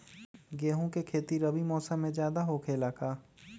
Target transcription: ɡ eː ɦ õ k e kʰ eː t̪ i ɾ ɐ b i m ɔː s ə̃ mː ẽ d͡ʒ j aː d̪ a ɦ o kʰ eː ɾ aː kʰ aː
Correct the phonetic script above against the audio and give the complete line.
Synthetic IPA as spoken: ɡ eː ɦ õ k e kʰ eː t̪ i ɾ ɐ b i m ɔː s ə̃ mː ẽ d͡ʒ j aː d̪ a ɦ o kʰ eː l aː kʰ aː